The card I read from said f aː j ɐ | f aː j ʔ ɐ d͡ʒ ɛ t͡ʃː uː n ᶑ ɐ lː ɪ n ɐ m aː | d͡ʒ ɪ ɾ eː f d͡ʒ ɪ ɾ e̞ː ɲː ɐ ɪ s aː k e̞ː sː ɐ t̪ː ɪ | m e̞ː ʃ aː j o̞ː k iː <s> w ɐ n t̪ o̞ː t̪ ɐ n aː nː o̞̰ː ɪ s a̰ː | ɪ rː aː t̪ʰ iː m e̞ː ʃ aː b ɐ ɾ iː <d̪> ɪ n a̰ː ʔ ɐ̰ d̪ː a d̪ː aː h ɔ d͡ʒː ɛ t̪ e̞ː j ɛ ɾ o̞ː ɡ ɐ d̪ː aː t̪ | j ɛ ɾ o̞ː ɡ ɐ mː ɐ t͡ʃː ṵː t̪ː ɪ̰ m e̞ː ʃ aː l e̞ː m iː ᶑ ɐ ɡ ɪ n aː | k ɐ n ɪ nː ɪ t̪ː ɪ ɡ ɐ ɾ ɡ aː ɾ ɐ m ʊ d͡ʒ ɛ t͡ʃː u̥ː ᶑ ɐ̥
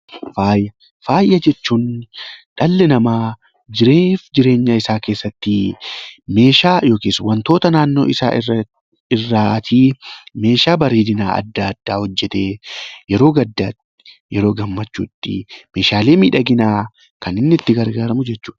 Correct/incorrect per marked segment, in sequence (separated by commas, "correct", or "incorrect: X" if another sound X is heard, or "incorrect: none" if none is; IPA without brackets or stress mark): correct, correct